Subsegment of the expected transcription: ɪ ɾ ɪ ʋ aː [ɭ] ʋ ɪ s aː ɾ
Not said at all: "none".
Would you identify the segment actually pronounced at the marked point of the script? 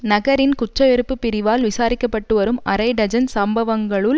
l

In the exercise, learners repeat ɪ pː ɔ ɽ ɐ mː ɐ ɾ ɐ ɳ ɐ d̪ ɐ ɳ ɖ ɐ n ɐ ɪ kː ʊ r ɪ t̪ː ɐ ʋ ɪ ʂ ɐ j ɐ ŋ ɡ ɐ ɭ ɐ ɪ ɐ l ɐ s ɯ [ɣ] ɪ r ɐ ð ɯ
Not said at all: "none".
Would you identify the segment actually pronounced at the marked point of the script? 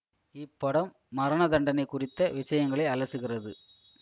ɣ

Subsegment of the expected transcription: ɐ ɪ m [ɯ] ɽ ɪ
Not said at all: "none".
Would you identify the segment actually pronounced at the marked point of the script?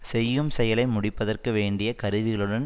ʊ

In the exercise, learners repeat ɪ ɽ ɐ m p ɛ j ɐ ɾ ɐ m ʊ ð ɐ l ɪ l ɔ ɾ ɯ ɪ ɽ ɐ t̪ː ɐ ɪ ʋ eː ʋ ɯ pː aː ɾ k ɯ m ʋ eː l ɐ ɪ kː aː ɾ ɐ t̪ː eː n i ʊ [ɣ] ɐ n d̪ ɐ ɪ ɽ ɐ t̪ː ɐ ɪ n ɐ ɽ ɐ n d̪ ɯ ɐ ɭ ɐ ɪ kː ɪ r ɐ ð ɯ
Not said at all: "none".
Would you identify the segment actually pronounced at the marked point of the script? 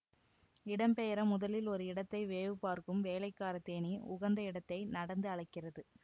ɣ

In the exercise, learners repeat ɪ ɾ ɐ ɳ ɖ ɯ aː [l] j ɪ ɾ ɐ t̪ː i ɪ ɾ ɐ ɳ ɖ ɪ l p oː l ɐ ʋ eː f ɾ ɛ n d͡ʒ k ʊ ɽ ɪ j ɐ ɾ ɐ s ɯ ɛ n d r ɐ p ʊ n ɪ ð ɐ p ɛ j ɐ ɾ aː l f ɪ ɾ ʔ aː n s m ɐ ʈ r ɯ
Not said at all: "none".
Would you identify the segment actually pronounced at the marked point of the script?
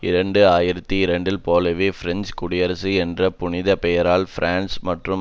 none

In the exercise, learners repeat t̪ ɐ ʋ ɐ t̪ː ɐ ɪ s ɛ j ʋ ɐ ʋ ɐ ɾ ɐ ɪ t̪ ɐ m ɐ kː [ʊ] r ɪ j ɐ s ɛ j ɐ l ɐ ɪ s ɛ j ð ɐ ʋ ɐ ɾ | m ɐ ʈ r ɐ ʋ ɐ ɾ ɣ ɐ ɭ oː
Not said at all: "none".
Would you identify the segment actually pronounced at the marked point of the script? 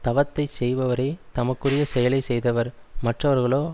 ɯ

